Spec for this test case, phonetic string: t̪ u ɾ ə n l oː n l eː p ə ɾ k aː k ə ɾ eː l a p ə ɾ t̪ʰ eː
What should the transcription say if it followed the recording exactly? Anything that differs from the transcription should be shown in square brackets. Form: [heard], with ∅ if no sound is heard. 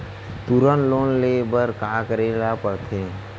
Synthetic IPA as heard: t̪ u ɾ ə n l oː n l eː [b] ə ɾ k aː k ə ɾ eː l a p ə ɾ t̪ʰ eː